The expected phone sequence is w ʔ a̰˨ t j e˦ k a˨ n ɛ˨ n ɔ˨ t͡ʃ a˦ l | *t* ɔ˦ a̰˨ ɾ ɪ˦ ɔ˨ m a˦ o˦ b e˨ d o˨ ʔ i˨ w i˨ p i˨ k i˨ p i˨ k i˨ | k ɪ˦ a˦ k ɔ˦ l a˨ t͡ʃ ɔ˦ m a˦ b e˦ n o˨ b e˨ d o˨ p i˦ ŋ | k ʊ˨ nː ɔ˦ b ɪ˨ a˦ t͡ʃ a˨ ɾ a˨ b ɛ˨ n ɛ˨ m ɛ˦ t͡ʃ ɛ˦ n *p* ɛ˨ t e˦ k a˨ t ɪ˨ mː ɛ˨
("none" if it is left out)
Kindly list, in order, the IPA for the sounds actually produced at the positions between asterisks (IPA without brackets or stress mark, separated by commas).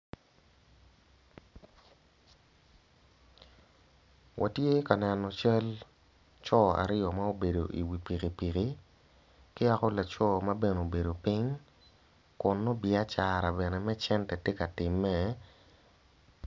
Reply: t͡ʃ, t